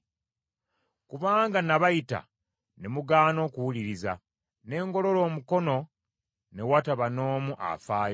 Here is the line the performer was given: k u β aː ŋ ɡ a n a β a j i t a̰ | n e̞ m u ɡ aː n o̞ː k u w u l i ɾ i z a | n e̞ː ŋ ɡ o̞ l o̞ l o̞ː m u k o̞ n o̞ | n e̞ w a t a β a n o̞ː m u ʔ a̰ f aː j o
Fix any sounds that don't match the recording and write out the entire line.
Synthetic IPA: k u β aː ŋ ɡ a n a β a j i t a̰ | n e̞ m u ɡ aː n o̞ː k u w u l i ɾ i z a | n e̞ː ŋ ɡ o̞ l o̞ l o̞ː m u k o̞ n o̞ | n e̞ w a t a β a n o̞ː m u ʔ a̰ f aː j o